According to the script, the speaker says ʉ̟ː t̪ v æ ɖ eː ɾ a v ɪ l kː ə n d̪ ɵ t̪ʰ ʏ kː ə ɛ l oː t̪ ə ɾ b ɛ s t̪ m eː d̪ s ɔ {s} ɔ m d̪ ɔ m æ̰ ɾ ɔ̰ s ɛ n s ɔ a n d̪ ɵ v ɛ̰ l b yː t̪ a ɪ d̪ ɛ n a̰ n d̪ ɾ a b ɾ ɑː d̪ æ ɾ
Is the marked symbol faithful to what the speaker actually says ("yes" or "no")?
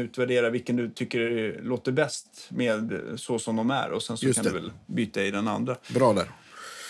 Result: yes